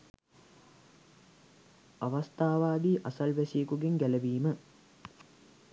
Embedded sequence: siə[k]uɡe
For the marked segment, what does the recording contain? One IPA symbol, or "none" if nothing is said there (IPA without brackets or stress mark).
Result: k